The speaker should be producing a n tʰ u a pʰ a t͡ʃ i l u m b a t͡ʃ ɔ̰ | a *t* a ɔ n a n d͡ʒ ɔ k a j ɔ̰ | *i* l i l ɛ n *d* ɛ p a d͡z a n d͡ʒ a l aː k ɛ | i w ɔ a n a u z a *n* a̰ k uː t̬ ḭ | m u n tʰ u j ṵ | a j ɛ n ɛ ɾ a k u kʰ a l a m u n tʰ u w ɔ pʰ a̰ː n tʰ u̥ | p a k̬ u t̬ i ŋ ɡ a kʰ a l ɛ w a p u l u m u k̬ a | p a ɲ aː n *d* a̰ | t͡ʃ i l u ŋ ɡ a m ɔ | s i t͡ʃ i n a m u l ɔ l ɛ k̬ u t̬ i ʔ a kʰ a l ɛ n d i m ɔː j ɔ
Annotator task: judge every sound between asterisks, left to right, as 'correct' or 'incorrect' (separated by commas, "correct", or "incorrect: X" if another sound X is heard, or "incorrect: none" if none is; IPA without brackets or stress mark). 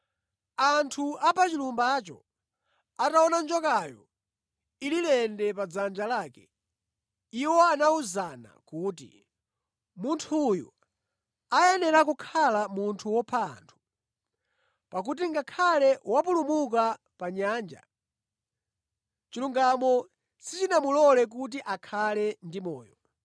correct, correct, correct, correct, incorrect: d͡ʒ